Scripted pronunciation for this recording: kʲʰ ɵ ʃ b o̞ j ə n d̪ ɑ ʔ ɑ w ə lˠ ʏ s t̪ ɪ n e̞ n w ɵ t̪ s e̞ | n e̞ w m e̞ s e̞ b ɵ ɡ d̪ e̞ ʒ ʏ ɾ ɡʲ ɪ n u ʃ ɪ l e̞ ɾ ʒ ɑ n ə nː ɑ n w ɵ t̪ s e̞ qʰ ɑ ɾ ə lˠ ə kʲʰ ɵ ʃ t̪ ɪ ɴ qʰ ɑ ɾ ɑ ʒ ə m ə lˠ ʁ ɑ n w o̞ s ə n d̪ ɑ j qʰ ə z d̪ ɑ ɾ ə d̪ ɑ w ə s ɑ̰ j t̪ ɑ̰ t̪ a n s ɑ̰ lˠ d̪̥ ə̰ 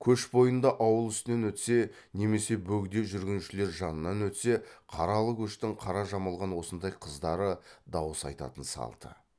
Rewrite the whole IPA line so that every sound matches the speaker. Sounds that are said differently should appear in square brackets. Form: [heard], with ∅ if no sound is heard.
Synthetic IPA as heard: kʲʰ ɵ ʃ b o̞ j ə n d̪ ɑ ʔ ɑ w ə lˠ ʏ s t̪ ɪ n e̞ n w ɵ t̪ s e̞ | n e̞ [∅] m e̞ s e̞ b ɵ ɡ d̪ e̞ ʒ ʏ ɾ ɡʲ ɪ n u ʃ ɪ l e̞ ɾ ʒ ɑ n ə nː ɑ n w ɵ t̪ s e̞ qʰ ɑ ɾ [ɑ] lˠ ə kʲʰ ɵ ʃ t̪ ɪ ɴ qʰ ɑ ɾ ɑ ʒ [ɑ] m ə lˠ ʁ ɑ n w o̞ s ə n d̪ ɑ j qʰ ə z d̪ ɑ ɾ ə d̪ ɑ w ə s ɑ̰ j t̪ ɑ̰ t̪ [ə] n s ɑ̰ lˠ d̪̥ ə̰